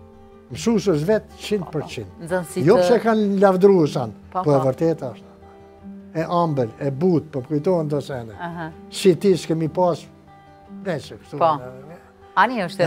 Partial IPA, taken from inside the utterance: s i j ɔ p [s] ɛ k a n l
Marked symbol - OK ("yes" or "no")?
yes